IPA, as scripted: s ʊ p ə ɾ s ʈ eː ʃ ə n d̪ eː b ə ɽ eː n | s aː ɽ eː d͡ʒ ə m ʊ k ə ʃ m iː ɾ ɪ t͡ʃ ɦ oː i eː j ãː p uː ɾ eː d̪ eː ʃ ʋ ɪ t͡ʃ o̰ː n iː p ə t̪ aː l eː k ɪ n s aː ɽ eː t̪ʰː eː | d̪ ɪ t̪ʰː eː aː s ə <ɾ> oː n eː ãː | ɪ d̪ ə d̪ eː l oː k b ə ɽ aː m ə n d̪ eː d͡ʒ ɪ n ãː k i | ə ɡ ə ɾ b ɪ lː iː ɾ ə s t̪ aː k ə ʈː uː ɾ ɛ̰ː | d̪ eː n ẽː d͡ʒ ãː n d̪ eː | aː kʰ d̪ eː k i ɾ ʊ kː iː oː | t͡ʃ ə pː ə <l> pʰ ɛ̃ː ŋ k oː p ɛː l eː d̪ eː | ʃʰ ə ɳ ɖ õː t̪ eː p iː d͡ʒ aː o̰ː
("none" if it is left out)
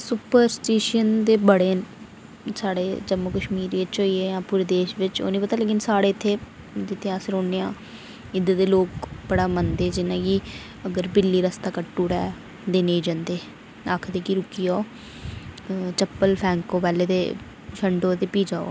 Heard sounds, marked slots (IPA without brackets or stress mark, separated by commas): ɾ, l